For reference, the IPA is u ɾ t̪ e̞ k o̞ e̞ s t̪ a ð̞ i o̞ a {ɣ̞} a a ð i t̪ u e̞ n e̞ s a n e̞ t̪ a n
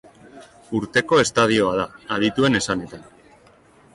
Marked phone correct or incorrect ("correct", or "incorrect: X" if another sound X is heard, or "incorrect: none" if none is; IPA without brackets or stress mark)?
incorrect: ð̞